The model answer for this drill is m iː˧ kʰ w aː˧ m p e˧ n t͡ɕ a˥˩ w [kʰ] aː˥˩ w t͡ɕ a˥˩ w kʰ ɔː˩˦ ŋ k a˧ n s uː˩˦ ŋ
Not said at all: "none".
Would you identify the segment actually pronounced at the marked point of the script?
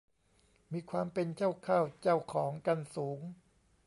kʰ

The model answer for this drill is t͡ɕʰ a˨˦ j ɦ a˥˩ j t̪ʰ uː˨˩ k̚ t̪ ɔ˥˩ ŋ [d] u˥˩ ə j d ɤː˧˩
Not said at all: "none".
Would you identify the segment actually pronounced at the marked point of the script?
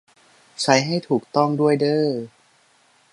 d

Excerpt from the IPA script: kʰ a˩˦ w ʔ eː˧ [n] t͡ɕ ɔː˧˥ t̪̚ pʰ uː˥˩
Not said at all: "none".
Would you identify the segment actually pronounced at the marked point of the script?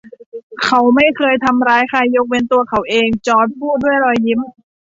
ŋ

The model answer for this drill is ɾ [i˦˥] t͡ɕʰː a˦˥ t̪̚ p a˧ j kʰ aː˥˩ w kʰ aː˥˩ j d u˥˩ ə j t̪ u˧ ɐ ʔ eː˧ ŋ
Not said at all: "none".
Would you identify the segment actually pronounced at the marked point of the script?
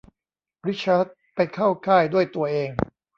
i˦˥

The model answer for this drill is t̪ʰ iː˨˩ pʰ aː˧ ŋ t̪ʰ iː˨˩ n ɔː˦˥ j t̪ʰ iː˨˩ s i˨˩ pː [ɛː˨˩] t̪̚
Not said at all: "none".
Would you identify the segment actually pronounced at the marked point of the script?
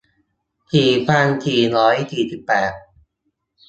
ɛː˨˩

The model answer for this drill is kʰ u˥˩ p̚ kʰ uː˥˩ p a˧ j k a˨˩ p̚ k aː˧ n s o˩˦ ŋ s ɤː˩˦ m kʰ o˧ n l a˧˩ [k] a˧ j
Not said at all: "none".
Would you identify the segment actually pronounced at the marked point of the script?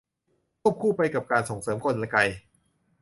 k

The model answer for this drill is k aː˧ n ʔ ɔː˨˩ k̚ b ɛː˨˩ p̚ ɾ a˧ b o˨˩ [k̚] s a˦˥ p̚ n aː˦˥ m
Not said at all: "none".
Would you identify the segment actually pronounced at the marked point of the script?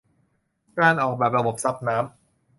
p̚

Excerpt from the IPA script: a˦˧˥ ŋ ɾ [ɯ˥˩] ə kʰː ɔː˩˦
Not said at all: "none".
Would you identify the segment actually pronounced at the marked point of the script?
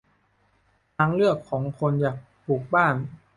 ɯ˥˩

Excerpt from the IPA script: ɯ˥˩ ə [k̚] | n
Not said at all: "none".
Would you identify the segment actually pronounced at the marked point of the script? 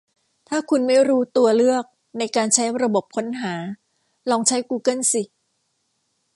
k̚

